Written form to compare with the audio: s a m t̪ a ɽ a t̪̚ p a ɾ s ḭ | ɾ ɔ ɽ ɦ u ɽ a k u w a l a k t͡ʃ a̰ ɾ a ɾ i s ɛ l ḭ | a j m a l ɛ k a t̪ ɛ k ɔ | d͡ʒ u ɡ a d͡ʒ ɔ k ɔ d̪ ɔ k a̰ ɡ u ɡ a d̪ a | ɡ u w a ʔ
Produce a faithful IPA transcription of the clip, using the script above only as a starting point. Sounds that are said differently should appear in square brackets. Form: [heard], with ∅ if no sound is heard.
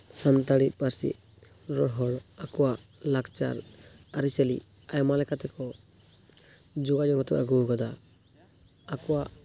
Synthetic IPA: s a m t̪ a ɽ [i] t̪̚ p a ɾ s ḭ | ɾ ɔ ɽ ɦ [ɔ] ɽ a k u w a l a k t͡ʃ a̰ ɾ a ɾ i s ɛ l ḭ | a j m a l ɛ k a t̪ ɛ k ɔ | d͡ʒ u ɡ a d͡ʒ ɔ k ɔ [t̪] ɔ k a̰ ɡ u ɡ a d̪ a | [k] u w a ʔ